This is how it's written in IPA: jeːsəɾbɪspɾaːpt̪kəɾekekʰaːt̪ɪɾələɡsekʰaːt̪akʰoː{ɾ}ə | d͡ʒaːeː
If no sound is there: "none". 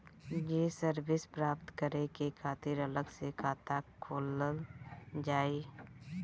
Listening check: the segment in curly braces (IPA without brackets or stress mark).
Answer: l